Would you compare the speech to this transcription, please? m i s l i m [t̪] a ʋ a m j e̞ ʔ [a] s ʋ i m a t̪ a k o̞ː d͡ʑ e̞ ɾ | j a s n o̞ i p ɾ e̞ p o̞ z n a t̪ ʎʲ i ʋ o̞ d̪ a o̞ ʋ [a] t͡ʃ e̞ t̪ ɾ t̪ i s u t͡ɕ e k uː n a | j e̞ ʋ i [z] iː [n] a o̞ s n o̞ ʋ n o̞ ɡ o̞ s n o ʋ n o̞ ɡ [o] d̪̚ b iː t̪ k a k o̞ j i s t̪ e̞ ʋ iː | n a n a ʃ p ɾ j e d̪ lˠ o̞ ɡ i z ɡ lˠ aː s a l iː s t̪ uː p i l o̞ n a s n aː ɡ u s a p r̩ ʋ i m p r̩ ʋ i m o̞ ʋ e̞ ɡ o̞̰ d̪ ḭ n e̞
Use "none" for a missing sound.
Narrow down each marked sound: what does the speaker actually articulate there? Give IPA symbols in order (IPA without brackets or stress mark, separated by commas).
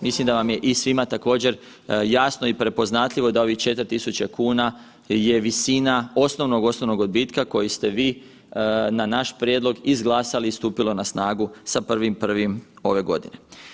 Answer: d̪, i, i, s, n, o